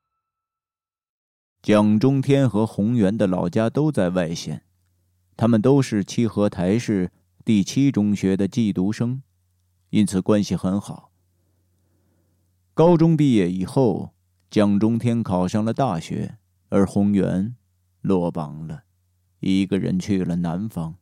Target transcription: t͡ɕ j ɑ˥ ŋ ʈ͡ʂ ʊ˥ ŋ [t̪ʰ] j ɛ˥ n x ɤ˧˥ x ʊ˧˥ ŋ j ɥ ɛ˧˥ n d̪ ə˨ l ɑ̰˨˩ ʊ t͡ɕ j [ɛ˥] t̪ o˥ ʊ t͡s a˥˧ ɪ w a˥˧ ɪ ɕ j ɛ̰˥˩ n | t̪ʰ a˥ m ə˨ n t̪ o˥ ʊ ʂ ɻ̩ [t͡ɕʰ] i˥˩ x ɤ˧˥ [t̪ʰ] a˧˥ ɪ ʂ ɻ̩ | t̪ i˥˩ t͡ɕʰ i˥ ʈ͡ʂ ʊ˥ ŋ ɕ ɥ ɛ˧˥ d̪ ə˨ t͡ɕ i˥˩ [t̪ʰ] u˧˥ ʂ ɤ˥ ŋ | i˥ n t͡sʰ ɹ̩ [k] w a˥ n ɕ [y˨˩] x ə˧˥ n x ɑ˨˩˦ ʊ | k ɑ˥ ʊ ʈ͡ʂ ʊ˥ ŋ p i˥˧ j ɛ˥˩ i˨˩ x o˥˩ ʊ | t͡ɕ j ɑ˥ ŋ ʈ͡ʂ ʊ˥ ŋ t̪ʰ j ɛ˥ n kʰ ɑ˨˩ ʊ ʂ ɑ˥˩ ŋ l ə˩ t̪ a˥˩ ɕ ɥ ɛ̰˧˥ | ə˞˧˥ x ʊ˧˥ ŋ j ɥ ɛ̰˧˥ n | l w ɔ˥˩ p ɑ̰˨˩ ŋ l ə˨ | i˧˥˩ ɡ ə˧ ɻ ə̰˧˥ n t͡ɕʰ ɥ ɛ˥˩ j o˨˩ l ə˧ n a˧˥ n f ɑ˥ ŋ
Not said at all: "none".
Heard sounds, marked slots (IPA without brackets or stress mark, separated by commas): t̪ʰ, a˥, t͡ɕʰ, t̪ʰ, t̪, k, i˨˩